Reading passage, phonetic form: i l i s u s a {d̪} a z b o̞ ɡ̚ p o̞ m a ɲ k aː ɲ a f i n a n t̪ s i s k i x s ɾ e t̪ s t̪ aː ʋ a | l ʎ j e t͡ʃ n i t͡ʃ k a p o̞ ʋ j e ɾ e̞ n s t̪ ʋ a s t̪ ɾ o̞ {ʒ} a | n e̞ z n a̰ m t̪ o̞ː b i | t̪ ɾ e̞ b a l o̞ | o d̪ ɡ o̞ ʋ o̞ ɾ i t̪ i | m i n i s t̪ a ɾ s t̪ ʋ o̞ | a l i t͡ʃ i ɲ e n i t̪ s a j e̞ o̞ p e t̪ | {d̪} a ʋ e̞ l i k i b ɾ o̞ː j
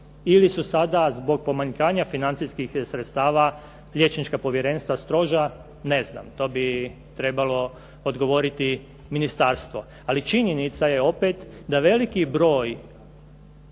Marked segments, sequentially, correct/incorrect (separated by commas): correct, correct, correct